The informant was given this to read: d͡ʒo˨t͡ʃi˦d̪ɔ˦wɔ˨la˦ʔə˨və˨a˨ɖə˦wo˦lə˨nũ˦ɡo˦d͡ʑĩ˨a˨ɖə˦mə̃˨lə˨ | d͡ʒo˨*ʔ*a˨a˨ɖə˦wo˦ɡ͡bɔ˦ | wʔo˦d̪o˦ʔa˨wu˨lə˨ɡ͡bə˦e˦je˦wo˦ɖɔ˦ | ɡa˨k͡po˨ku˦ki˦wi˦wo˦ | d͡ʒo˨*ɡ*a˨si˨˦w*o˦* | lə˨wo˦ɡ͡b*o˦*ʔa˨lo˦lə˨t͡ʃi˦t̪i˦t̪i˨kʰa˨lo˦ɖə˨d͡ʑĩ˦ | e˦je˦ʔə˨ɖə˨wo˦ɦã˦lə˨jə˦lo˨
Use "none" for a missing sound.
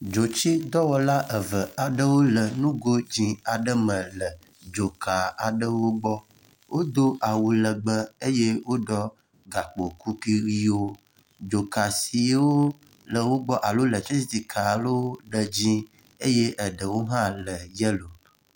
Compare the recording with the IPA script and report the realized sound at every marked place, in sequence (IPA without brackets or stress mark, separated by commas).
k, k, o˦, ɔ˦